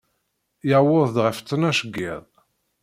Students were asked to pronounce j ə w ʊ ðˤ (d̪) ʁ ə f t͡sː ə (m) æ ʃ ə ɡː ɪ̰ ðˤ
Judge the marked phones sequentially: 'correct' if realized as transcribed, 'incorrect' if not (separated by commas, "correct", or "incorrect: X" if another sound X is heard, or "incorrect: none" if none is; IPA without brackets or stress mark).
correct, incorrect: n